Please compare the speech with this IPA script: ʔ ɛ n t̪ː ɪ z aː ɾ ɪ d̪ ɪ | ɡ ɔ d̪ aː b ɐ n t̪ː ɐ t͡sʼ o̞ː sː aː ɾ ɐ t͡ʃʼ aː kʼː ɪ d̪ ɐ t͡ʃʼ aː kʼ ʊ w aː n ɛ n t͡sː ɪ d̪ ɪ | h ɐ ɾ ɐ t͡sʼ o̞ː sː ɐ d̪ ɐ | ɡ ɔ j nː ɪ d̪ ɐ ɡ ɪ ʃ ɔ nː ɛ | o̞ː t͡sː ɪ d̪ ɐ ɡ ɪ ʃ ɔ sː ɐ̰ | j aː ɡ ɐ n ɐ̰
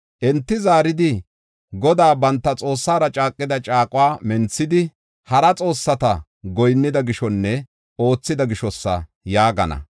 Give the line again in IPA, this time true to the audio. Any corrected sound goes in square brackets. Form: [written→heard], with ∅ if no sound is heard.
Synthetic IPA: ʔ ɛ n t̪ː ɪ z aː ɾ ɪ d̪ ɪ | ɡ ɔ d̪ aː b ɐ n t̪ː ɐ t͡sʼ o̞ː sː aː ɾ ɐ t͡ʃʼ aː kʼː ɪ d̪ ɐ t͡ʃʼ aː kʼ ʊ w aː [n→m] ɛ n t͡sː ɪ d̪ ɪ | h ɐ ɾ ɐ t͡sʼ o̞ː sː ɐ [d̪→t̪] ɐ | ɡ ɔ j nː ɪ d̪ ɐ ɡ ɪ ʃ ɔ nː ɛ | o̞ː t͡sː ɪ d̪ ɐ ɡ ɪ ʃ ɔ sː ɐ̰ | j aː ɡ ɐ n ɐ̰

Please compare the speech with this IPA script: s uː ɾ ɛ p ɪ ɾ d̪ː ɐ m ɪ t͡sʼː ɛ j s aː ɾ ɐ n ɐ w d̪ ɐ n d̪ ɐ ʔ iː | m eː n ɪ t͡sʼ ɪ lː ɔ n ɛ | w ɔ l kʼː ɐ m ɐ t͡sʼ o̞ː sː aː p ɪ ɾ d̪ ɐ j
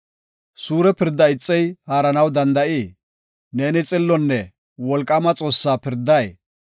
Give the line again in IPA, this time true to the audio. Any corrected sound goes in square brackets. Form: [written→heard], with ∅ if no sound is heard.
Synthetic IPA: s uː ɾ ɛ p ɪ ɾ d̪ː ɐ [m→∅] ɪ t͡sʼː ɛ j [s→h] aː ɾ ɐ n ɐ w d̪ ɐ n d̪ ɐ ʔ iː | [m→n] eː n ɪ t͡sʼ ɪ lː ɔ [n→nː] ɛ | w ɔ l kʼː ɐ m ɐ t͡sʼ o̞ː sː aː p ɪ ɾ d̪ ɐ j

